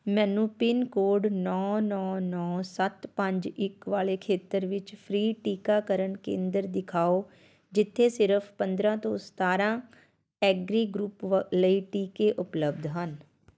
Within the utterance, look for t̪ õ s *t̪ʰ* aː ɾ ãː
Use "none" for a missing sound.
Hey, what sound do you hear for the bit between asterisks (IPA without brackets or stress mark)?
t̪